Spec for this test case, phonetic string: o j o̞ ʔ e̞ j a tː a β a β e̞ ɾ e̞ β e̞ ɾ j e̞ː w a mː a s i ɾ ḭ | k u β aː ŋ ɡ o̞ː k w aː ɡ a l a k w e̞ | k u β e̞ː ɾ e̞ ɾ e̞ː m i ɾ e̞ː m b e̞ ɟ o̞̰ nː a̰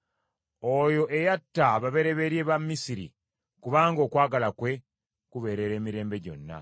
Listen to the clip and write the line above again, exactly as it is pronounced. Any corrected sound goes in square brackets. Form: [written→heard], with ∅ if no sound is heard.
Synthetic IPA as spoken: o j o̞ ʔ e̞ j a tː a β a β e̞ ɾ e̞ β e̞ ɾ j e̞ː [w→β] a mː [a→i] s i ɾ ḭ | k u β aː ŋ ɡ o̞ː k w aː ɡ a l a k w e̞ | k u β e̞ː ɾ e̞ ɾ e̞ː m i ɾ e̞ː m b e̞ ɟ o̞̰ nː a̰